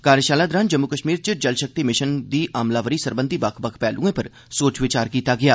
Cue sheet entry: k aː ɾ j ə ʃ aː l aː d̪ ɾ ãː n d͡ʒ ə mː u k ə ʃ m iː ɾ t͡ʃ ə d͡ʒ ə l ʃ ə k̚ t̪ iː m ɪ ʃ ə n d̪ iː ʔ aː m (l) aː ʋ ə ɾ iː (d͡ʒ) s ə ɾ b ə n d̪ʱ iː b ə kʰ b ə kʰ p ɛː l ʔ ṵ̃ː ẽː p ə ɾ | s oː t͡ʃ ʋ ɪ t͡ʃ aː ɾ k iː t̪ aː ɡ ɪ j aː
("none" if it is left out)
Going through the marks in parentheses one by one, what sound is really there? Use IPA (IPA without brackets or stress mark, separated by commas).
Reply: l, none